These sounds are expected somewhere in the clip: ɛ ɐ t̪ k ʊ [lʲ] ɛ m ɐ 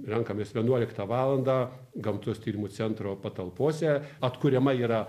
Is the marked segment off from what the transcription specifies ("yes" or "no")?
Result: yes